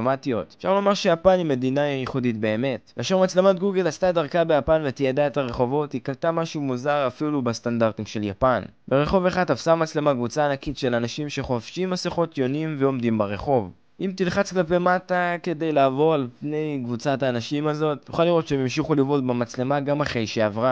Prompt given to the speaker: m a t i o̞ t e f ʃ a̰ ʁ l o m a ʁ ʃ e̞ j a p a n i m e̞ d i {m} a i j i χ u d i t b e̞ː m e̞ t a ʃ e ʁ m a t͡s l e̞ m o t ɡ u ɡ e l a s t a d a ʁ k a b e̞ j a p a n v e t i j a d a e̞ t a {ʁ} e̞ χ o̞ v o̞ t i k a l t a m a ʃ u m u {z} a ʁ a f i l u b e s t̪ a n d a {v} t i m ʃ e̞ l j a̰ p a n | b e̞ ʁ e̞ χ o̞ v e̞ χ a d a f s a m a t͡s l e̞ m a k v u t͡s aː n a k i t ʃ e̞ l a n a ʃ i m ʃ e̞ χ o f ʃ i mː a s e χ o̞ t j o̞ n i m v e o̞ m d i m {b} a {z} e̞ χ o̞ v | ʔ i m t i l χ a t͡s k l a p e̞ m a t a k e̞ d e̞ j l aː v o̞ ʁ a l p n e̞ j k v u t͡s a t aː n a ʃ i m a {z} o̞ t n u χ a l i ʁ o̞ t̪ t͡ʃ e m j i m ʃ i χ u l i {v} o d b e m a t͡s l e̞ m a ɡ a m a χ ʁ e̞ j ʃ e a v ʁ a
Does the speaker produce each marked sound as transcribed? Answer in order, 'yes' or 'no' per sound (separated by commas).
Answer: no, yes, yes, no, yes, no, yes, yes